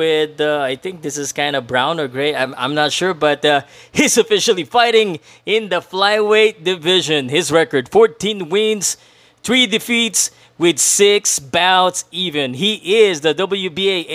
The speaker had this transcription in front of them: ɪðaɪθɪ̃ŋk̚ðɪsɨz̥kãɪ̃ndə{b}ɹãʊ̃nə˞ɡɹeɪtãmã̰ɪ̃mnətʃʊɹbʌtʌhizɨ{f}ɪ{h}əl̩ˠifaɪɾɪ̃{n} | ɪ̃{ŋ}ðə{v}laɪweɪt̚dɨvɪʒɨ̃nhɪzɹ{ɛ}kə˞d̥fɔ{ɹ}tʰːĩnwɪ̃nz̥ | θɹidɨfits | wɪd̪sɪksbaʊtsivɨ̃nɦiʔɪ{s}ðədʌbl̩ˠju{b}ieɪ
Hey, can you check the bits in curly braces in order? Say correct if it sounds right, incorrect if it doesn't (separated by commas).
correct, correct, incorrect, incorrect, incorrect, incorrect, correct, correct, incorrect, correct